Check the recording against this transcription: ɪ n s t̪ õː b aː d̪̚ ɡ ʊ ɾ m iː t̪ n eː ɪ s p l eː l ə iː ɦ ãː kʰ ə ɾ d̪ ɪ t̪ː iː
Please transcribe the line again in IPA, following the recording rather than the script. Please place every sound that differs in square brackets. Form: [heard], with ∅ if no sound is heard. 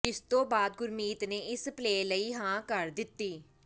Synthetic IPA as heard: ɪ [∅] s t̪ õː b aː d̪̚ ɡ ʊ ɾ m iː t̪ n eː ɪ s p l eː l ə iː ɦ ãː [k] ə ɾ d̪ ɪ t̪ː iː